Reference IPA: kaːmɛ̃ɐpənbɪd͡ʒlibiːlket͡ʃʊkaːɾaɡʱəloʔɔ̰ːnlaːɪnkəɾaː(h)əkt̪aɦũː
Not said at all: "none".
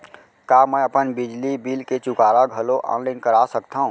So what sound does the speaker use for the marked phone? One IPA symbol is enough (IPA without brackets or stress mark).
s